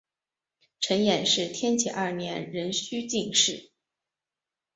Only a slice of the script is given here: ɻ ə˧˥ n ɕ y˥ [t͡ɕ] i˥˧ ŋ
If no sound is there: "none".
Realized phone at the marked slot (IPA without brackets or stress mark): t͡ɕ